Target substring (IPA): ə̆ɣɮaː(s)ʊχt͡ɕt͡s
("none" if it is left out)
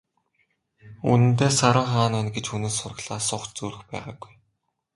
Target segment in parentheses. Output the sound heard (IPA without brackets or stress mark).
s